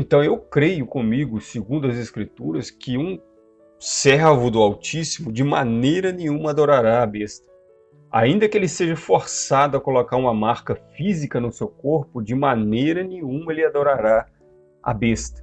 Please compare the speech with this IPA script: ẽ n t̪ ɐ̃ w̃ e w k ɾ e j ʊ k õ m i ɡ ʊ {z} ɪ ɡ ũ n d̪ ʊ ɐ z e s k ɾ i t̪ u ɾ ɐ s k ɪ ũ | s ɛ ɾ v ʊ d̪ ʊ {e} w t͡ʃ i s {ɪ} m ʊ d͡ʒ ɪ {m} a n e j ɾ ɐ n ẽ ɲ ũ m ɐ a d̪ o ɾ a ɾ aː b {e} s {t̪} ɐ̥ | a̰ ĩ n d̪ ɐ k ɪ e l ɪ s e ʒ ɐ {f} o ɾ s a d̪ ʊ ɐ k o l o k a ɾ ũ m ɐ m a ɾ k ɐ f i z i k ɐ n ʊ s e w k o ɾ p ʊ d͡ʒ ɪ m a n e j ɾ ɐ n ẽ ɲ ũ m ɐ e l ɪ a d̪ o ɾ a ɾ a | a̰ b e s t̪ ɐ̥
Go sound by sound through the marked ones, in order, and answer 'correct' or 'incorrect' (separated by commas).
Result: incorrect, incorrect, incorrect, correct, correct, correct, correct